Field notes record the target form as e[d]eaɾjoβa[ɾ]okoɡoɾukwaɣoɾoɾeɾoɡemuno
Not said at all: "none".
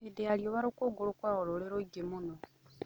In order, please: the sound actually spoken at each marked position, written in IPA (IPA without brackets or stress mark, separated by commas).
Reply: d, ɾ